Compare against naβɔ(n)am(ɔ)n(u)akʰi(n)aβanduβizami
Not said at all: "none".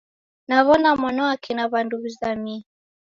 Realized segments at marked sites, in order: n, ɔ, ɔ, n

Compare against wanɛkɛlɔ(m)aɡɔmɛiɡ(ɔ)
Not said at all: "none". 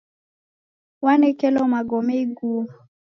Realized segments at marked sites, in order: m, u

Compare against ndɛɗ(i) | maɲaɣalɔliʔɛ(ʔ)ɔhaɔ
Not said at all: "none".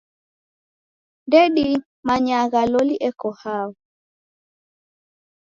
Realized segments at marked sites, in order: i, k

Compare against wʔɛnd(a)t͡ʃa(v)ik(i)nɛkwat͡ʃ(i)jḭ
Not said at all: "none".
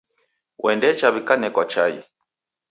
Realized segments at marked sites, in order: ɛ, β, a, a

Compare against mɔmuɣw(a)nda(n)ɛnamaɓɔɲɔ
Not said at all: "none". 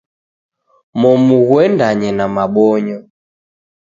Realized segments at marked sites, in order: ɛ, ɲ

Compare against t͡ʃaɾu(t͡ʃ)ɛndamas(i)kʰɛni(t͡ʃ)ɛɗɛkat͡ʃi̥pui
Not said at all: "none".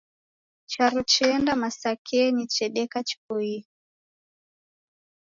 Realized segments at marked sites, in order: t͡ʃ, a, t͡ʃ

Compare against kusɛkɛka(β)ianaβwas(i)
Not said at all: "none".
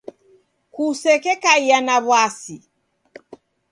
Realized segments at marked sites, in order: none, i

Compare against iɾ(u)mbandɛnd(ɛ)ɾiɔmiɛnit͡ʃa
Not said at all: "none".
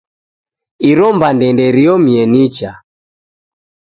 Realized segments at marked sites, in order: ɔ, ɛ

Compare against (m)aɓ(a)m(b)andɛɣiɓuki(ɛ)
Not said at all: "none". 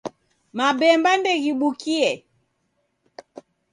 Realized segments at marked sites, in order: m, ɛ, b, ɛ

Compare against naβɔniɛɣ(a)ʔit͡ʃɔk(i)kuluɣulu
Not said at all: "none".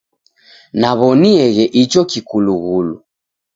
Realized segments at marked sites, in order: ɛ, i

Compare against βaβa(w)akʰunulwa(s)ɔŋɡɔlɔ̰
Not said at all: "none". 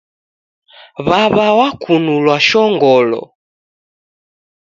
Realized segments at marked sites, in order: w, ʃ

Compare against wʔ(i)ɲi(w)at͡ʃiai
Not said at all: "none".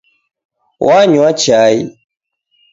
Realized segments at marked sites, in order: a, w

